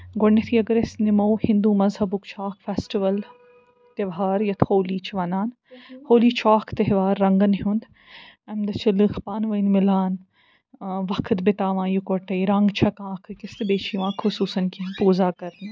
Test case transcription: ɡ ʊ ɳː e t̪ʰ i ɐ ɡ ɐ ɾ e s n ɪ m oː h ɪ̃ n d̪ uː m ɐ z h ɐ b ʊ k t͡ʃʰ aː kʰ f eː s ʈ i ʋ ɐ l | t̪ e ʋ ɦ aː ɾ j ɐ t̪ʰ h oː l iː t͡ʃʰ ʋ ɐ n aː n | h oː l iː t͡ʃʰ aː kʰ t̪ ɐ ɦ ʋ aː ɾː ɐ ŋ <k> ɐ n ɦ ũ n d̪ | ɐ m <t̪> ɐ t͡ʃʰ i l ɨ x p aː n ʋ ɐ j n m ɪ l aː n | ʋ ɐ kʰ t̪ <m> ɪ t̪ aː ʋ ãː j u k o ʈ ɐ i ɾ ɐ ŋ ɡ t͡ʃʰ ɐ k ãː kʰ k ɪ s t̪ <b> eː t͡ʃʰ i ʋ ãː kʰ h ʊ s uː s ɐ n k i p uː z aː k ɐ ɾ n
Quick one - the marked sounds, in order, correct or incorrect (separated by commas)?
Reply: incorrect, incorrect, incorrect, correct